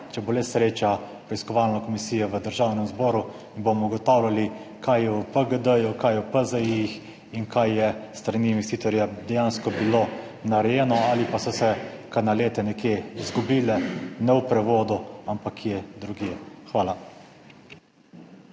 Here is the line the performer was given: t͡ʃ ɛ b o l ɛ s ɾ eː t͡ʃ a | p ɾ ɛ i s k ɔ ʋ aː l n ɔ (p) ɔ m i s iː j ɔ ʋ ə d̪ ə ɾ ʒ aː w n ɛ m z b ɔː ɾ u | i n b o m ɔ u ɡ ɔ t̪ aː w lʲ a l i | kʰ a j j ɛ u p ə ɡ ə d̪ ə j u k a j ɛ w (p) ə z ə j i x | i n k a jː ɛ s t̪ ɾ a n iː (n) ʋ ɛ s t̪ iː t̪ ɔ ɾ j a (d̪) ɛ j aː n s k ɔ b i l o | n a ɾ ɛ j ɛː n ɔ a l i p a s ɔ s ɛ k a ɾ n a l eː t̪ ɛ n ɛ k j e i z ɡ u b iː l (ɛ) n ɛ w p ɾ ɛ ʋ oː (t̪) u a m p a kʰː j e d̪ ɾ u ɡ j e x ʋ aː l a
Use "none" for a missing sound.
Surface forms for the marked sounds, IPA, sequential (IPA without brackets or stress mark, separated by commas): k, p, n, d̪, ɛ, d̪